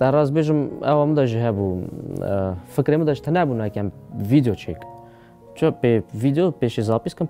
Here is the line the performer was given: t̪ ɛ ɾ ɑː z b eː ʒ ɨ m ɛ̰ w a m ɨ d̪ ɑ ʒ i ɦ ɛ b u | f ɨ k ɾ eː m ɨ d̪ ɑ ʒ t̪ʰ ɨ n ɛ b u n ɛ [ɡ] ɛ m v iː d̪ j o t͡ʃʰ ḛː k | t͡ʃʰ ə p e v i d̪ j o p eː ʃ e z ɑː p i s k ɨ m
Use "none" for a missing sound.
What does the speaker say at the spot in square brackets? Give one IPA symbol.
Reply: k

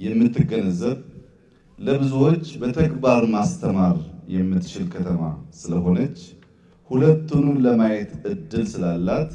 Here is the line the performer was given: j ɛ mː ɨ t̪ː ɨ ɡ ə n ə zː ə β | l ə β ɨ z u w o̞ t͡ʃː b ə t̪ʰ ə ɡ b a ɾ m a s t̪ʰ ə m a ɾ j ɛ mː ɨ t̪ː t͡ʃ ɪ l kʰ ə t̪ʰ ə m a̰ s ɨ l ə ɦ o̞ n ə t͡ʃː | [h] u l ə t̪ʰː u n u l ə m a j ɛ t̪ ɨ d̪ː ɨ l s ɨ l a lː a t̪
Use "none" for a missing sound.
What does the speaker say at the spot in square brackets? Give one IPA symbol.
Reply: h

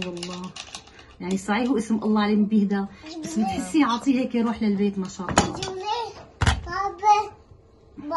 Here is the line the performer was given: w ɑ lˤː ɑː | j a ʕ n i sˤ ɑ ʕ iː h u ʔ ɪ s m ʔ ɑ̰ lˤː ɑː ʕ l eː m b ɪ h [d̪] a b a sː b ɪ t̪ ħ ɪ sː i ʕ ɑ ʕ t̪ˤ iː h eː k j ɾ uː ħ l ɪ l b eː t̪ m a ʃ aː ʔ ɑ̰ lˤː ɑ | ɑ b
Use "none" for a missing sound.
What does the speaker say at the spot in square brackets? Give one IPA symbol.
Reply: d̪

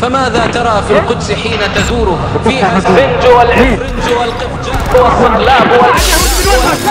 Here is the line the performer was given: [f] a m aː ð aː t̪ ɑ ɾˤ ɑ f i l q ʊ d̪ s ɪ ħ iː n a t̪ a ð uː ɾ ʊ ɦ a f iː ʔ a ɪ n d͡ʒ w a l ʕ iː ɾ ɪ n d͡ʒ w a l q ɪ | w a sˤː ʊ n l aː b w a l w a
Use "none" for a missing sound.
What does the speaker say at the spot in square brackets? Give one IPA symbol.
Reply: f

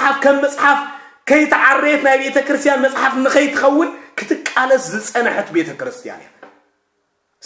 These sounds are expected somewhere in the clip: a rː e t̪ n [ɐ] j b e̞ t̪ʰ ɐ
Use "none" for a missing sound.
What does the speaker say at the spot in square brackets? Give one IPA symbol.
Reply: a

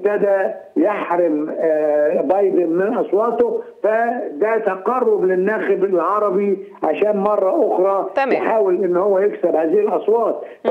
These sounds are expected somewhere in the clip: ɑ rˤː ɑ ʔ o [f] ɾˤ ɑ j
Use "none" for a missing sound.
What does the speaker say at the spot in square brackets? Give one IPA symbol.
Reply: x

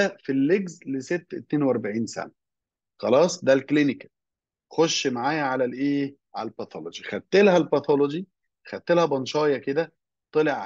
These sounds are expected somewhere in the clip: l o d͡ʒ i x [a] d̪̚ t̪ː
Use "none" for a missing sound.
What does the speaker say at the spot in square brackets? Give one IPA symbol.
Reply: æ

